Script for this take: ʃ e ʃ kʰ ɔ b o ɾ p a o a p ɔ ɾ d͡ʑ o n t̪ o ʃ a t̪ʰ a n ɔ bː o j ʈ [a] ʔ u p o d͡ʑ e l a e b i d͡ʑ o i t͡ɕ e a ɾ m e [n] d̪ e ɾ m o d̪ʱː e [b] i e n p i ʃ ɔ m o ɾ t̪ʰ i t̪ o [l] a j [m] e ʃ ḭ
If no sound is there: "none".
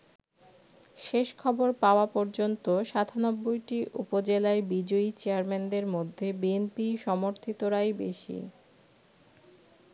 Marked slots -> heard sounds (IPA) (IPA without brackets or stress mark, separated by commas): i, n, b, ɾ, b